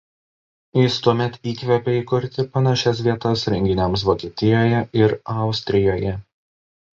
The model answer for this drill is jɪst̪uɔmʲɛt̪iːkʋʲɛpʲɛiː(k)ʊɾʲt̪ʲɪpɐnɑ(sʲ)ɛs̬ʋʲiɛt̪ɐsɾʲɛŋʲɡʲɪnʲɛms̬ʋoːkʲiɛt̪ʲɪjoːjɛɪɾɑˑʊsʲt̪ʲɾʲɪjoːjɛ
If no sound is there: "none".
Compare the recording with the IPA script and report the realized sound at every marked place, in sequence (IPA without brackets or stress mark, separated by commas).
k, ʃʲ